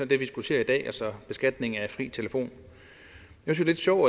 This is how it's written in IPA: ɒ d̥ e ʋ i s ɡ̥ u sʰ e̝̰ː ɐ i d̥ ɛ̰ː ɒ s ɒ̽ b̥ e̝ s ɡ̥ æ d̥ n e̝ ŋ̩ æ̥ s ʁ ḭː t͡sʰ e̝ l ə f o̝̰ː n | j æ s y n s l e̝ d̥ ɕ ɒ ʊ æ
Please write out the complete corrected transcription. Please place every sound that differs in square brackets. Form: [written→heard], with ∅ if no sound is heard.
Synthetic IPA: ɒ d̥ e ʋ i s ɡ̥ u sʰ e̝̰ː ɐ i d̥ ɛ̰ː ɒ s ɒ̽ b̥ e̝ s ɡ̥ æ d̥ n e̝ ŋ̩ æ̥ [s→f] ʁ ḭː t͡sʰ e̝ l ə f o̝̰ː n | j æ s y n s l e̝ d̥ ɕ ɒ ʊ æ